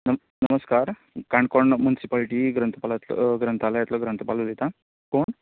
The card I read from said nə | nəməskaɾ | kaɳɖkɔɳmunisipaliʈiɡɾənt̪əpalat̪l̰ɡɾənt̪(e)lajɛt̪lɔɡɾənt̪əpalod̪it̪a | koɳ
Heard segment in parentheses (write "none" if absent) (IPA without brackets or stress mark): a